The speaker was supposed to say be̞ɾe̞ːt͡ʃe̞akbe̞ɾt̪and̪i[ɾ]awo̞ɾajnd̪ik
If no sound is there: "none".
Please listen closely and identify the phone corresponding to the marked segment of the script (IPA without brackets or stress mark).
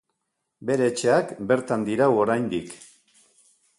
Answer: ɾ